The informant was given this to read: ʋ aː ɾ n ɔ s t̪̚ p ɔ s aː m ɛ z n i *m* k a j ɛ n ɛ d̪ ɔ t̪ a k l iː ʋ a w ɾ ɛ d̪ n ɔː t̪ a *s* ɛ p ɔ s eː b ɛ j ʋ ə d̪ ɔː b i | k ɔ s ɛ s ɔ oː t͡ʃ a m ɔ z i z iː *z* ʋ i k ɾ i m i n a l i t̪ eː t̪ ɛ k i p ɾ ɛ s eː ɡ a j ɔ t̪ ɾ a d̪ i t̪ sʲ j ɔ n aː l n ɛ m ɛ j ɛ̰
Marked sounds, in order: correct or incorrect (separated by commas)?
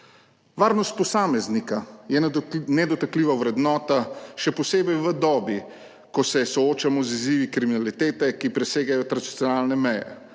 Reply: incorrect, incorrect, incorrect